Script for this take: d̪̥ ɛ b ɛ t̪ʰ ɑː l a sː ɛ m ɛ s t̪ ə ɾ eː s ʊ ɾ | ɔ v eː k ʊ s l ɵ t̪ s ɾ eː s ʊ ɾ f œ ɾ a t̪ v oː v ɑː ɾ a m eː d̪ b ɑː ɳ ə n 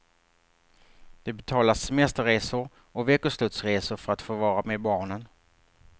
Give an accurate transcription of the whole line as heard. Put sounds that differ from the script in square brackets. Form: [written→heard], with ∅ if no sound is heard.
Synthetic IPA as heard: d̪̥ ɛ b ɛ t̪ʰ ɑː l a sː ɛ m ɛ s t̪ ə ɾ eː s ʊ ɾ | ɔ v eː k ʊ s l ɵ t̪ s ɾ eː s ʊ ɾ f œ ɾ a t̪ [v→f] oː v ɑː ɾ a m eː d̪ b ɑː ɳ ə n

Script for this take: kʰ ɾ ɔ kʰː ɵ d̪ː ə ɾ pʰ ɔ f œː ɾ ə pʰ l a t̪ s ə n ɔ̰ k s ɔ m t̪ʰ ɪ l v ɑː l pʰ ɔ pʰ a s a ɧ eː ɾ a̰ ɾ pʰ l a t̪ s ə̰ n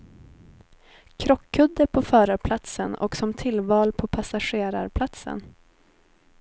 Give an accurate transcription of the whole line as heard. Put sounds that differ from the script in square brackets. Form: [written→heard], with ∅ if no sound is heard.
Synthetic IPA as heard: kʰ ɾ ɔ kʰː ɵ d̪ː ə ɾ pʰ ɔ f œː ɾ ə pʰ l a t̪ s ə n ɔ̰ k s ɔ m t̪ʰ ɪ l v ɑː l pʰ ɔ pʰ a s a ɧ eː ɾ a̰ ɾ pʰ l a t̪ s ə̰ n

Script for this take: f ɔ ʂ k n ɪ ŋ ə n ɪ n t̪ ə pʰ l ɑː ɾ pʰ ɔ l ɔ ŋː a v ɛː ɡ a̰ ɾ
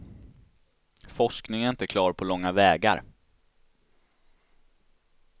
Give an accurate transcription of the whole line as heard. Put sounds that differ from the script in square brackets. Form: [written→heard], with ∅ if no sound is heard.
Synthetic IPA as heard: f ɔ ʂ k n ɪ ŋ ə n ɪ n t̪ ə [pʰ→kʰ] l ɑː ɾ pʰ ɔ l ɔ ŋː a v ɛː ɡ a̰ ɾ

